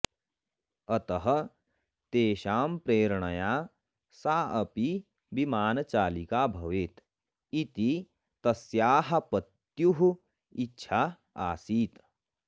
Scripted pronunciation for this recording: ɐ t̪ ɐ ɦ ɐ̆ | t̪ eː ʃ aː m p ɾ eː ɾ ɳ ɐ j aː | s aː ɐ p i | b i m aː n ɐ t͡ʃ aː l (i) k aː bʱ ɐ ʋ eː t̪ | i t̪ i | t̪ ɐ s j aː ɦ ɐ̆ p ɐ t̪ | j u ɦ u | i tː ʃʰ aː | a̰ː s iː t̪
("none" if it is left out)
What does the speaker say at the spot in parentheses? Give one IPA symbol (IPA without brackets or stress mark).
i